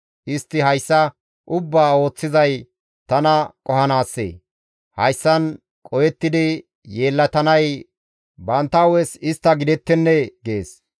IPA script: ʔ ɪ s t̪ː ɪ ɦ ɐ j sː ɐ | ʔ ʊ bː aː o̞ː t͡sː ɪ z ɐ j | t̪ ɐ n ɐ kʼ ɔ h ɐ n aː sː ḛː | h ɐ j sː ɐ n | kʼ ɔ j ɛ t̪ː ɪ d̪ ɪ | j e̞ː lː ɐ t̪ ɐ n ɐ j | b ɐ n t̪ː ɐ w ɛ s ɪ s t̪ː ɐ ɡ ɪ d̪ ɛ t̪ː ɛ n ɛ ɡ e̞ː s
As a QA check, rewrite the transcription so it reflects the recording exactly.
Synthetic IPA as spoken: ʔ ɪ s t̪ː ɪ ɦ ɐ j sː ɐ | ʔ ʊ bː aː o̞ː t͡sː ɪ z ɐ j | t̪ ɐ n ɐ kʼ ɔ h ɐ n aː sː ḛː | h ɐ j sː ɐ n | kʼ ɔ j ɛ t̪ː ɪ d̪ ɪ | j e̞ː lː ɐ t̪ ɐ n ɐ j | b ɐ n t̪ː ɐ w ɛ s ɪ s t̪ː ɐ ɡ ɪ d̪ ɛ t̪ː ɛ nː ɛ ɡ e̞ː s

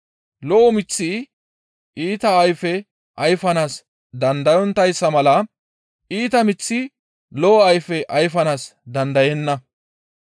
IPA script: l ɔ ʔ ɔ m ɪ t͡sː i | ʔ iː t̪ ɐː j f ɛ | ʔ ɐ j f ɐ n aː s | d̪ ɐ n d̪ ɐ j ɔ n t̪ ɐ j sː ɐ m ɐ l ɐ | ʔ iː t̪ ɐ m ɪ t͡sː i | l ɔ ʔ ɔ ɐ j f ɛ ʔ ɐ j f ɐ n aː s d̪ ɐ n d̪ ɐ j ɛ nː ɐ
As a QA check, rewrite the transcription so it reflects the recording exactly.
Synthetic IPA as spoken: l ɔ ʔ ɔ m ɪ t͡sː i | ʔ iː t̪ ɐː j f ɛ | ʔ ɐ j f ɐ n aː s | d̪ ɐ n d̪ ɐ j ɔ n t̪ ɐ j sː ɐ m ɐ l ɐ | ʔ iː t̪ ɐ m ɪ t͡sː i | l ɔ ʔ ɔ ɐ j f ɛ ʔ ɐ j f ɐ n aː s d̪ ɐ n d̪ ɐ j ɛ nː ɐ

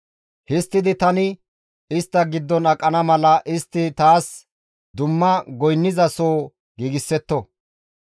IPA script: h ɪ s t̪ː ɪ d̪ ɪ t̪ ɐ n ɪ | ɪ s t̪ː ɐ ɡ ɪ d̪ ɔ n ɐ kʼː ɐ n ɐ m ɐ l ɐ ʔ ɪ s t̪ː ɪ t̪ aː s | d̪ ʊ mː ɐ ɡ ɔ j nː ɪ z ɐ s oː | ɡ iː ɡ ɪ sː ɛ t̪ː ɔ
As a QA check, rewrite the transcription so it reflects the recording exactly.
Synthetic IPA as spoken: h ɪ s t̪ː ɪ d̪ ɪ t̪ ɐ n ɪ | ɪ s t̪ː ɐ ɡ ɪ d̪ː ɔ n ɐ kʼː ɐ n ɐ m ɐ l ɐ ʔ ɪ s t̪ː ɪ t̪ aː s | d̪ ʊ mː ɐ ɡ ɔ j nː ɪ z ɐ s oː | ɡ iː ɡ ɪ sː ɛ t̪ː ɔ

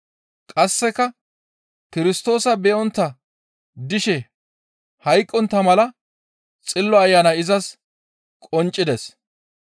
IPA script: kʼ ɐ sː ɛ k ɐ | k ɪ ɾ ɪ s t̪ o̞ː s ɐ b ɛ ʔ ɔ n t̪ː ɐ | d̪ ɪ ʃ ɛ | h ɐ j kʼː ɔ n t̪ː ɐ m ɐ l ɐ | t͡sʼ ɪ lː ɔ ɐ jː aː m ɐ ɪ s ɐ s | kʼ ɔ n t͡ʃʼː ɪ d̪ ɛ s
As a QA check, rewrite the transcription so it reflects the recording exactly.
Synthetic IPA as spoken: kʼ ɐ sː ɛ k ɐ | k ɪ ɾ ɪ s t̪ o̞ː s ɐ b ɛ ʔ ɔ n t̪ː ɐ | d̪ ɪ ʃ ɛ | h ɐ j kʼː ɔ n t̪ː ɐ m ɐ l ɐ | t͡sʼ ɪ lː ɔ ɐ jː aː n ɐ ɪ z ɐ s | kʼ ɔ n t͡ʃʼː ɪ d̪ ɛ s

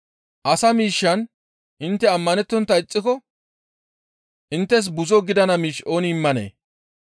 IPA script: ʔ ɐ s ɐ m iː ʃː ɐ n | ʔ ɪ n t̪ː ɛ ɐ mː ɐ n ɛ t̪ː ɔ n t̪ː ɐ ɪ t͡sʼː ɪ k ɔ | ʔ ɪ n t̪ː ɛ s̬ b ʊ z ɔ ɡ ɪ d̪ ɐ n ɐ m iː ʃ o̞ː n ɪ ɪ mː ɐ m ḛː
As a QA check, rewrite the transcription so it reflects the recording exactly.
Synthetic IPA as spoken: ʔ ɐ s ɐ m iː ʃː ɐ n | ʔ ɪ n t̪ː ɛ ɐ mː ɐ n ɛ t̪ː ɔ n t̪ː ɐ ɪ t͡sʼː ɪ k ɔ | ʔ ɪ n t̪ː ɛ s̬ b ʊ z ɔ ɡ ɪ d̪ ɐ n ɐ m iː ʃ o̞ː n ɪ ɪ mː ɐ n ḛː

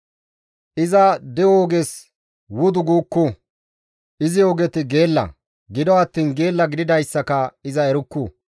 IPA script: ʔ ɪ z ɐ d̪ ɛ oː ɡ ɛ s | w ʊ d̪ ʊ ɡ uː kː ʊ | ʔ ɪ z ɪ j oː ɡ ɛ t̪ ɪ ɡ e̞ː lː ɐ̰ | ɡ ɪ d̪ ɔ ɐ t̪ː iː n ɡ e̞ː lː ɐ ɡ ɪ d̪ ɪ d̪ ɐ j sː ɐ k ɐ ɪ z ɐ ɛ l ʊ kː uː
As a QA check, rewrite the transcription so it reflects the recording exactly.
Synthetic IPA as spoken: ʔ ɪ z ɐ d̪ ɛ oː ɡ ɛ s | w ʊ d̪ ʊ ɡ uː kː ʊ | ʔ ɪ z ɪ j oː ɡ ɛ t̪ ɪ ɡ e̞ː lː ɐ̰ | ɡ ɪ d̪ ɔ ɐ t̪ː iː n ɡ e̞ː lː ɐ ɡ ɪ d̪ ɪ d̪ ɐ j sː ɐ k ɐ ɪ z ɐ ɛ ɾ ʊ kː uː

